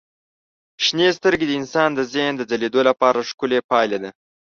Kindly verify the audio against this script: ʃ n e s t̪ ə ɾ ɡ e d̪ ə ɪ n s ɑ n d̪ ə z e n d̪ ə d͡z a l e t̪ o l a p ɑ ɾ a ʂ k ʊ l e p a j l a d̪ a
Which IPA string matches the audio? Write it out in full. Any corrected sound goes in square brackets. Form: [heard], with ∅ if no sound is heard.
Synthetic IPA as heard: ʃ n e s t̪ ə ɾ ɡ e d̪ ə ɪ n s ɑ n d̪ ə z e n d̪ ə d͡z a l e [d̪] o l a p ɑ ɾ a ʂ k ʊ l e p [ɑ] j l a d̪ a